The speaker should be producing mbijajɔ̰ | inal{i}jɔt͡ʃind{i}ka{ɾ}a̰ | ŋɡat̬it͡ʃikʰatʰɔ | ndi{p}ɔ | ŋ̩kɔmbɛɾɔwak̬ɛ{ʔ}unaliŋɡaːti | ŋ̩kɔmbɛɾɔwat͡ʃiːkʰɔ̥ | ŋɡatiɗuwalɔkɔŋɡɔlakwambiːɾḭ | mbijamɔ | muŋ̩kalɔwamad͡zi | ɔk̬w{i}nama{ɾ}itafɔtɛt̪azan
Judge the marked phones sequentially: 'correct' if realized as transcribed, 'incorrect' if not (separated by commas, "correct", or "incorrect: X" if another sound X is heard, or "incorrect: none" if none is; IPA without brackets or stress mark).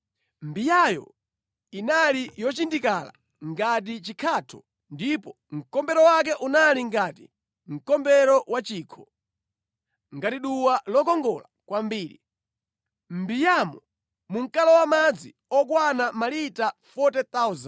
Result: correct, correct, incorrect: l, correct, correct, incorrect: a, incorrect: l